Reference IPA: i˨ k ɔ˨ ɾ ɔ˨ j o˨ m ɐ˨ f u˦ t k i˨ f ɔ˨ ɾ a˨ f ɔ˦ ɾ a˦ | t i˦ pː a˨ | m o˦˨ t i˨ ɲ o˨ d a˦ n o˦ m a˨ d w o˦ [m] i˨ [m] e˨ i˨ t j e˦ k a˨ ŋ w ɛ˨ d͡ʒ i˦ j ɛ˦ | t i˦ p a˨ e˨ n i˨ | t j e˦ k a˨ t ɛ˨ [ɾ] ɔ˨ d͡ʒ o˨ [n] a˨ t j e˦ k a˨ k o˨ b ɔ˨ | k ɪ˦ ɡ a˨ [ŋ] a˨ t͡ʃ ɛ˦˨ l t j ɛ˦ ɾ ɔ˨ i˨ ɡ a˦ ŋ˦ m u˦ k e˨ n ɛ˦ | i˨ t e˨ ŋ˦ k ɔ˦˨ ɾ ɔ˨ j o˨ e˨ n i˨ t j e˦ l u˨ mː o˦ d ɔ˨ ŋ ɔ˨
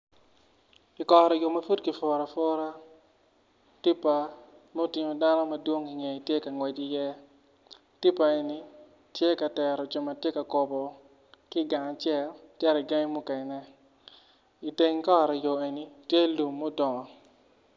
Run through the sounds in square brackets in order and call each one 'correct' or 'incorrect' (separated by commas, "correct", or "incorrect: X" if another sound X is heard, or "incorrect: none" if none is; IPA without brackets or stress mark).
incorrect: ŋ, incorrect: ŋ, correct, incorrect: m, correct